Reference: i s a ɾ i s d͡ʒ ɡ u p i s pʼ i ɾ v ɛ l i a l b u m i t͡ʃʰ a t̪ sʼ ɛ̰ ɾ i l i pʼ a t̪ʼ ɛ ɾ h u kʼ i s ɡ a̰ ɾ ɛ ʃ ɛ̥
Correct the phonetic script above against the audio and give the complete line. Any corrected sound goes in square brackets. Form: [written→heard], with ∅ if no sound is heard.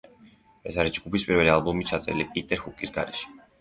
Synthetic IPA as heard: [i→ɛ] s a ɾ i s d͡ʒ ɡ u p i s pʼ i ɾ v ɛ l i a l b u m i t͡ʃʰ a t̪ sʼ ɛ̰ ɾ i l i pʼ [a→i] t̪ʼ ɛ ɾ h u kʼ i s ɡ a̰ ɾ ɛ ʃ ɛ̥